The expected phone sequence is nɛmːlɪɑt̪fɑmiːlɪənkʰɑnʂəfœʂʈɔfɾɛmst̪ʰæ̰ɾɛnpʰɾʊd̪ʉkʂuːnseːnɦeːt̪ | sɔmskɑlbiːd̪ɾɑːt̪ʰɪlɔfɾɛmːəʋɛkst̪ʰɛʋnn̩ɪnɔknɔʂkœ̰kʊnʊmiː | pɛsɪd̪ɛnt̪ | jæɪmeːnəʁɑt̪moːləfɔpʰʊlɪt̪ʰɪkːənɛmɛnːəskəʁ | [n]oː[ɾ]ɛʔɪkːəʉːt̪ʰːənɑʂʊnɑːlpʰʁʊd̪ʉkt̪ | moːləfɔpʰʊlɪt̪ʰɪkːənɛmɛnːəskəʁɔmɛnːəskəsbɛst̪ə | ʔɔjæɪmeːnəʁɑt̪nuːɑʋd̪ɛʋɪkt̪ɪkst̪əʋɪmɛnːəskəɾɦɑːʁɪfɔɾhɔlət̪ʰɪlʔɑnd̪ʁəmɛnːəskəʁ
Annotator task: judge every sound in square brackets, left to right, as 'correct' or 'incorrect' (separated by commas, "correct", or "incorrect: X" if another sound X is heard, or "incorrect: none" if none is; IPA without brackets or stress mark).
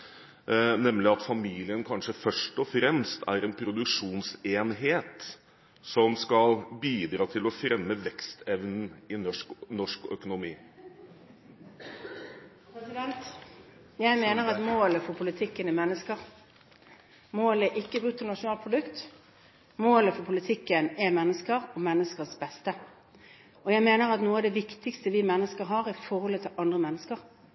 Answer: incorrect: m, incorrect: l